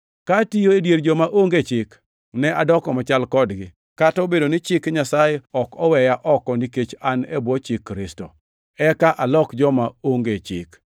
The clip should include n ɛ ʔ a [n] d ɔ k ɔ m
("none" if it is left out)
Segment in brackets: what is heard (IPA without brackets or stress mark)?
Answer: none